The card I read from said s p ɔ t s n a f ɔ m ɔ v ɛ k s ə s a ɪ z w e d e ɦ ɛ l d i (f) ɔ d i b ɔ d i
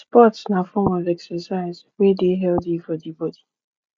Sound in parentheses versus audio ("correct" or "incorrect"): correct